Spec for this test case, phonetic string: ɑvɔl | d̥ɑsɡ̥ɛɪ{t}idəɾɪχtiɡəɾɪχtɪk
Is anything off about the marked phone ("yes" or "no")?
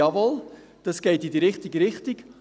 no